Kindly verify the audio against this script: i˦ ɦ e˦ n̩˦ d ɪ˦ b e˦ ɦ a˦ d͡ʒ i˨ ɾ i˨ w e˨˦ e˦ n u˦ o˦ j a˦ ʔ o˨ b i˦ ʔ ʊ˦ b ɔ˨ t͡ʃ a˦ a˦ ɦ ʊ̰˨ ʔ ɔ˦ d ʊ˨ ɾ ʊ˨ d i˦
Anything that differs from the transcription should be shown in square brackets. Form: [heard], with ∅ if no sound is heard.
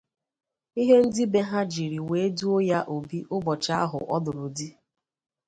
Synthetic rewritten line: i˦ ɦ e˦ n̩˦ d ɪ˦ b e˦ ɦ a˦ d͡ʒ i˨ ɾ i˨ w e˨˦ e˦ [d] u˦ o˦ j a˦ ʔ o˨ b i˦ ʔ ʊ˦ b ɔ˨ t͡ʃ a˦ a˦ ɦ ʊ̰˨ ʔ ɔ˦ d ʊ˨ ɾ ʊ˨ d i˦